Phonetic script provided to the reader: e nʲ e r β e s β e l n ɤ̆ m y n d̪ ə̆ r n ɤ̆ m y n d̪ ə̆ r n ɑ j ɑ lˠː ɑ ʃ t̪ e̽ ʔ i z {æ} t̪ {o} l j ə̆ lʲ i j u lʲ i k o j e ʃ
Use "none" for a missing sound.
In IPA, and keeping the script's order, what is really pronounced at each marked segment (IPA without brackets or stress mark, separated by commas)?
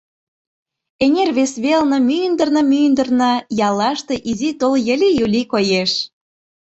i, o